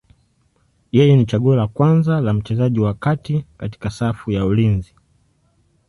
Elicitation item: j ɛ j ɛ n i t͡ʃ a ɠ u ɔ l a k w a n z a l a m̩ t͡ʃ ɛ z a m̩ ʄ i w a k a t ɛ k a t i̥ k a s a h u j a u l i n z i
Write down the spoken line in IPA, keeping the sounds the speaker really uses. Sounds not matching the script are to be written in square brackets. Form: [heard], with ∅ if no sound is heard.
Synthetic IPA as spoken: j ɛ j ɛ n i t͡ʃ a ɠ u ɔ l a k w a n z a l a m̩ t͡ʃ ɛ z a [∅] ʄ i w a k a t [i] k a t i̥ k a s a [f] u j a u l i n z i